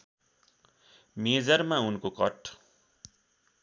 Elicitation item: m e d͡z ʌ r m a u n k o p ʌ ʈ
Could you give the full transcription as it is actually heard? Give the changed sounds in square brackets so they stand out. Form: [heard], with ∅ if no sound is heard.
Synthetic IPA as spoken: m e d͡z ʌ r m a u n k o [k] ʌ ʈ